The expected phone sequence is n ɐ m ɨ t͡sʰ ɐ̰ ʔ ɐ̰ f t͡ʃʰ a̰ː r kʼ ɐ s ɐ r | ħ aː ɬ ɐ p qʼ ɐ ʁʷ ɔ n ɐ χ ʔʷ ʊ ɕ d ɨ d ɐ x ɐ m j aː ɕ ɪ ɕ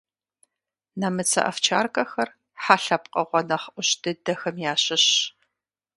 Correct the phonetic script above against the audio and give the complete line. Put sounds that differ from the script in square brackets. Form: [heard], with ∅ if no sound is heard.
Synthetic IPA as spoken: n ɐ m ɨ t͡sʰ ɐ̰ ʔ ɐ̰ f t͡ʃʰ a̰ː r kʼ ɐ [x] ɐ r | ħ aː ɬ ɐ p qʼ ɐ ʁʷ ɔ n ɐ χ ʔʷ ʊ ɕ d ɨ d ɐ x ɐ m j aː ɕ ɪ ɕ